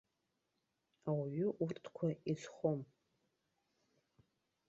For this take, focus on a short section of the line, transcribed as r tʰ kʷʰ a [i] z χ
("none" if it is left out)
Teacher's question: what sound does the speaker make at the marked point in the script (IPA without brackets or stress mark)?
i